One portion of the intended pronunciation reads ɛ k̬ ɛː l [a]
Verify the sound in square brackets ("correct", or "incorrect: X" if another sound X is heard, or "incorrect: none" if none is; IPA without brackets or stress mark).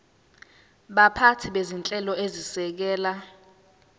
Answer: correct